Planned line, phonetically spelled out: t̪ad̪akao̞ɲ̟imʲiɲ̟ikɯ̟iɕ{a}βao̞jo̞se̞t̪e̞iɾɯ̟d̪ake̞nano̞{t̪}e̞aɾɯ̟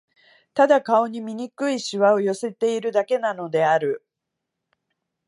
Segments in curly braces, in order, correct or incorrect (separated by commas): incorrect, incorrect